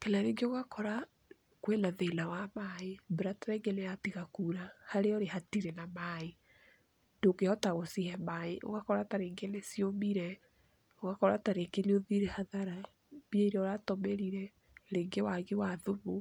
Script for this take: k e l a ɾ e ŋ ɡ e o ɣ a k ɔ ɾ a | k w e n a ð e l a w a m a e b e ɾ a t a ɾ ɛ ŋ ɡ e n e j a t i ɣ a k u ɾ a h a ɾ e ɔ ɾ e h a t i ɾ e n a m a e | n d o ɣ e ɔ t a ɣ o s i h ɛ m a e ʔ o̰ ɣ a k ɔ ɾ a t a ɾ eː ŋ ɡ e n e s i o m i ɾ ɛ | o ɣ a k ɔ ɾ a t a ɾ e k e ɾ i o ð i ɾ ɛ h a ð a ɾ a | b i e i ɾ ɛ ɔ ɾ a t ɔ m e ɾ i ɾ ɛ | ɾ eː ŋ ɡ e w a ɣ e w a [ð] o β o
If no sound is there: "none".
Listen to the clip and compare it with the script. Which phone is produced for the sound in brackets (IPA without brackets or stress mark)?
ð